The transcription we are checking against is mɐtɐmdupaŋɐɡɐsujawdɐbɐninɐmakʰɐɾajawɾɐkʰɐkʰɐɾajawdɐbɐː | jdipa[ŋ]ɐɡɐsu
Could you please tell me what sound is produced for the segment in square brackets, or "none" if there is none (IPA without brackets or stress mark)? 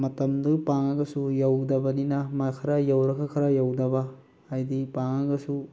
ŋ